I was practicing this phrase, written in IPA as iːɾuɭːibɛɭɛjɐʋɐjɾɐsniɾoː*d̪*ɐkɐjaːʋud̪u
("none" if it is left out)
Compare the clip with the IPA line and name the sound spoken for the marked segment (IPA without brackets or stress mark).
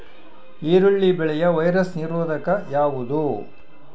d̪